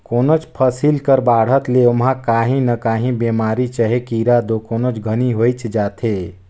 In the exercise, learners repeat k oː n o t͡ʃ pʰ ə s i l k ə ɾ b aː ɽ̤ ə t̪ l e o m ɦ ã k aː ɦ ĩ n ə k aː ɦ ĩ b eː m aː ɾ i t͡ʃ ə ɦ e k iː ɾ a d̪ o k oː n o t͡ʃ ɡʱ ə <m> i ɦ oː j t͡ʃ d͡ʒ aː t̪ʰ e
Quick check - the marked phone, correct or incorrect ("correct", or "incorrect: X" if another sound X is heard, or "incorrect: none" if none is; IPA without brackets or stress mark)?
incorrect: n